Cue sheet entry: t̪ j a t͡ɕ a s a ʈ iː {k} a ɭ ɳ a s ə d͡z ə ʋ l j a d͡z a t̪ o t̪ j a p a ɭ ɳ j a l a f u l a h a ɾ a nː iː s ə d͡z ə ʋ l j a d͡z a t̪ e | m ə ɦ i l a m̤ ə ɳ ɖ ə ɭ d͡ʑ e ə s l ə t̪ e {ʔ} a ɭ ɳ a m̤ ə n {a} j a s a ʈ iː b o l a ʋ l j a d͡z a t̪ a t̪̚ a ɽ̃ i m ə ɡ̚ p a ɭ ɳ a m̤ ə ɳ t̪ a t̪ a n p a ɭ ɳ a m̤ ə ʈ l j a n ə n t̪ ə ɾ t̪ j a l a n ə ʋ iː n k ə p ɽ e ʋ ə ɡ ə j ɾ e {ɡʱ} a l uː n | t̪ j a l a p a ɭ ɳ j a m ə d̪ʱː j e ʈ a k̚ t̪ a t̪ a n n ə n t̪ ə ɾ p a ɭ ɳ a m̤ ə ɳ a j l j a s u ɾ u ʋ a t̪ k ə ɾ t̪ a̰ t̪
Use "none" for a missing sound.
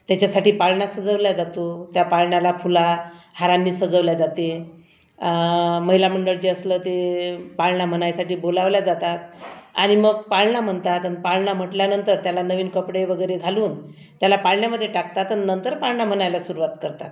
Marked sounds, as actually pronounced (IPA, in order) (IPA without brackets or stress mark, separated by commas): p, p, a, ɡʱ